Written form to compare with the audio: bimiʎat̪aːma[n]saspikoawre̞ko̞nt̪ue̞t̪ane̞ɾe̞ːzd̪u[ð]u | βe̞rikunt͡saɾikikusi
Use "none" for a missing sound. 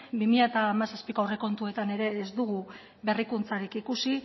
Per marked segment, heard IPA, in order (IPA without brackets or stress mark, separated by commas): none, ɣ